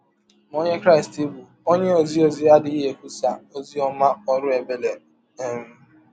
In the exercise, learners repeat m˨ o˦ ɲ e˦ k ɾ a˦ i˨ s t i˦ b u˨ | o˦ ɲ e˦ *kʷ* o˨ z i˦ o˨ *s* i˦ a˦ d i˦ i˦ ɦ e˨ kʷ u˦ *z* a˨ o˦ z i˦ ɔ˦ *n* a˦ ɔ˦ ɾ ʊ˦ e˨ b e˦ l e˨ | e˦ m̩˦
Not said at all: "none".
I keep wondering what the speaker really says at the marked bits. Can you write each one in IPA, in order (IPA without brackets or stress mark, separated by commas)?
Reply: none, z, s, m